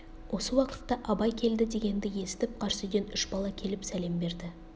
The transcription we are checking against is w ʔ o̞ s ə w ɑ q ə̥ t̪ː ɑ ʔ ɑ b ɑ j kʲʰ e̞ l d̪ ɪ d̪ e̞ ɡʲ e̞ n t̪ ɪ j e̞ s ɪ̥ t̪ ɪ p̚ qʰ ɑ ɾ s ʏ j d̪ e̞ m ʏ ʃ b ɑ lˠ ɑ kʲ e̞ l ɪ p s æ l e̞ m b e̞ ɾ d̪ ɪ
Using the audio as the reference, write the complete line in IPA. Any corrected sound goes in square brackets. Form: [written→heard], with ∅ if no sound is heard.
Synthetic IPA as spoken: w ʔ o̞ s ə w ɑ q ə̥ t̪ː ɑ ʔ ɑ b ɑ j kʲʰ e̞ l d̪ ɪ d̪ e̞ ɡʲ e̞ n [t̪→d̪] ɪ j e̞ s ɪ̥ t̪ ɪ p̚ qʰ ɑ ɾ s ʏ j d̪ e̞ [m→n] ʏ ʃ b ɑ lˠ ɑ [kʲ→kʲʰ] e̞ l ɪ p s æ l e̞ m b e̞ ɾ d̪ ɪ

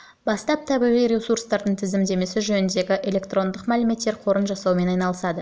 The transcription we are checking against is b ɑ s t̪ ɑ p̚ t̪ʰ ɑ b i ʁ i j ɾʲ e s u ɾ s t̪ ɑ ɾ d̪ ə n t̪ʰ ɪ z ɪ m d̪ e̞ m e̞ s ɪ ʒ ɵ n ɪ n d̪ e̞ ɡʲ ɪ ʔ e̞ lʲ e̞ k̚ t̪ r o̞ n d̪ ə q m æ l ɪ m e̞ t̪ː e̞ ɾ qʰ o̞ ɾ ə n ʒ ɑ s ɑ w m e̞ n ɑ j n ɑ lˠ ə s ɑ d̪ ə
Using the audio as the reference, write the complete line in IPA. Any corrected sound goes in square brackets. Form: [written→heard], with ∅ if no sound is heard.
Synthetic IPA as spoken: b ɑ s t̪ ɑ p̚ t̪ʰ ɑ b i ʁ i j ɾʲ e s u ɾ s t̪ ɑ ɾ d̪ ə [n→ɴ] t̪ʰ ɪ z ɪ m d̪ e̞ m e̞ s ɪ ʒ ɵ n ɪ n d̪ e̞ ɡʲ ɪ ʔ e̞ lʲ e̞ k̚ t̪ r o̞ n d̪ ə q m æ l ɪ m e̞ t̪ː e̞ ɾ qʰ o̞ ɾ ə n ʒ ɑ s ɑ w m e̞ n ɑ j n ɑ lˠ ə s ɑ d̪ ə

